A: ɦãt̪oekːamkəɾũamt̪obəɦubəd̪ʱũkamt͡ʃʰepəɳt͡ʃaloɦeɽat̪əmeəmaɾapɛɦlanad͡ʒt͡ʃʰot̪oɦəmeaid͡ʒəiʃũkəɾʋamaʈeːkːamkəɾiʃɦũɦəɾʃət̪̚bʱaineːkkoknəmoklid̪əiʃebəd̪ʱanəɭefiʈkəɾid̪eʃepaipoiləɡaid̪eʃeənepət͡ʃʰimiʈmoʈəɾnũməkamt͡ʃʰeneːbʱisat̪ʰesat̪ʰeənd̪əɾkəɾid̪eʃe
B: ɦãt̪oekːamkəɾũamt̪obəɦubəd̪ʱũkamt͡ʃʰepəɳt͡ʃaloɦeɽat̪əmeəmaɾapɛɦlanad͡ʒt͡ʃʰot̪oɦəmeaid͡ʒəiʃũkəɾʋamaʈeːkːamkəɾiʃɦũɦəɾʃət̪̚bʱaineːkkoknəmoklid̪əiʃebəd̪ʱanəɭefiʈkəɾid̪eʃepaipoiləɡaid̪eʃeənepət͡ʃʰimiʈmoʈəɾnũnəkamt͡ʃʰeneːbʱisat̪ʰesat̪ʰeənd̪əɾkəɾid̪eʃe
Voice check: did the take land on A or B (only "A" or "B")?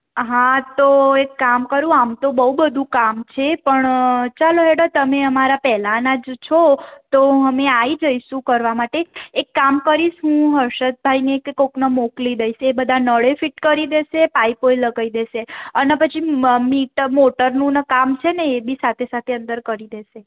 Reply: B